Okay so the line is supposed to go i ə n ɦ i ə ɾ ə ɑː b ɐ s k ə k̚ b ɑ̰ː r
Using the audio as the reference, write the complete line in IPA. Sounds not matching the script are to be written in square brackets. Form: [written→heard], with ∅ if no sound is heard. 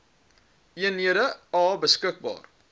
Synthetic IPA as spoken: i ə n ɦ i ə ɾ ə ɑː b [ɐ→ə] s k ə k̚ b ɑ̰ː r